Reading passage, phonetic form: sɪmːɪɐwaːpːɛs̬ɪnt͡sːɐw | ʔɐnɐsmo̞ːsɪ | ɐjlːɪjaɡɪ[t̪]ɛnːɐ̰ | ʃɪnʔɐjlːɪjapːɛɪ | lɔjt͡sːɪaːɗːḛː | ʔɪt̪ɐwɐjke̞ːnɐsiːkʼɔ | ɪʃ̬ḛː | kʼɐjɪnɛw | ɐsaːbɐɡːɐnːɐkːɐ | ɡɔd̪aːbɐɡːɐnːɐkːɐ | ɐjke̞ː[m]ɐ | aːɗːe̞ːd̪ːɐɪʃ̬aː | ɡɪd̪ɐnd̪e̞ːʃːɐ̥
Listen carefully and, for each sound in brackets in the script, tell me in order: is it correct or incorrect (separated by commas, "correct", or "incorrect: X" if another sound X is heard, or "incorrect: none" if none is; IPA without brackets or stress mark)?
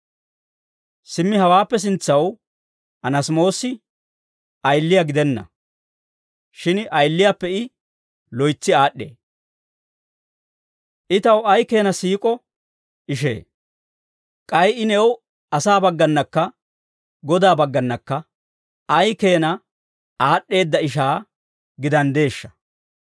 incorrect: d̪, incorrect: n